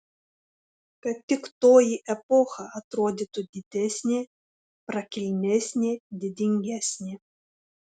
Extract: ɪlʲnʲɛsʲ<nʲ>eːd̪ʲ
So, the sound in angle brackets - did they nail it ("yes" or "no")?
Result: yes